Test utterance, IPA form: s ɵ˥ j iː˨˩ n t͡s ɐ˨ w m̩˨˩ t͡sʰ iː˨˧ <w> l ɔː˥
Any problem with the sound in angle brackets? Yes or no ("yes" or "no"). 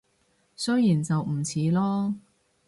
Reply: yes